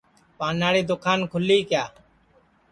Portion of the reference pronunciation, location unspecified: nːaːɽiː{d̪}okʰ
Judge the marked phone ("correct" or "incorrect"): correct